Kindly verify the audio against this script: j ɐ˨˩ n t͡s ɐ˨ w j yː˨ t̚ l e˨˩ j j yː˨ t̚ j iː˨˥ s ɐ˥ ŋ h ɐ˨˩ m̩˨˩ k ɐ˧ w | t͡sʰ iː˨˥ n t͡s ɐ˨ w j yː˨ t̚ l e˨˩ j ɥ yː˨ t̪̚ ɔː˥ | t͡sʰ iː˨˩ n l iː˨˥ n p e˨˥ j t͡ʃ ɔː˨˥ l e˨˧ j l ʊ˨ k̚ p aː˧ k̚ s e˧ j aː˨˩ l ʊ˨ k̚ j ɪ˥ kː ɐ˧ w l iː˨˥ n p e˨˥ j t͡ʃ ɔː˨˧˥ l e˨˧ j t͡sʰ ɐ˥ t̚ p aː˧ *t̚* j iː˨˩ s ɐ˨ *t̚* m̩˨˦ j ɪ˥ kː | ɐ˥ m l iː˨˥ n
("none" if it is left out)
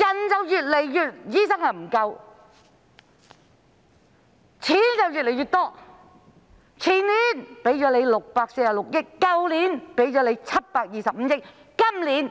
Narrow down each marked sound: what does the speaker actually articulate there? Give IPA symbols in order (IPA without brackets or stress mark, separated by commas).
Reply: k̚, p̚